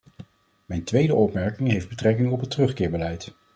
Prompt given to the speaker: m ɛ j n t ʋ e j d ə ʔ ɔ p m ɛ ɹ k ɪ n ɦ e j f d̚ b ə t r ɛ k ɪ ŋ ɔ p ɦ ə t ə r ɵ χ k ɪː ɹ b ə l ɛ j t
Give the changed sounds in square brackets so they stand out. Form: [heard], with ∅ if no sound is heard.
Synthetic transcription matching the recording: m ɛ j n t ʋ e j d ə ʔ ɔ p m ɛ ɹ k ɪ [ŋ] ɦ e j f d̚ b ə t r ɛ k ɪ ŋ ɔ p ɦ ə t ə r ɵ χ k ɪː ɹ b ə l ɛ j t